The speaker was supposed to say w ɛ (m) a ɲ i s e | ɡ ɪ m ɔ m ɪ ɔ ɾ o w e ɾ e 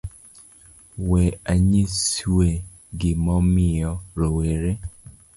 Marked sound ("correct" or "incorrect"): incorrect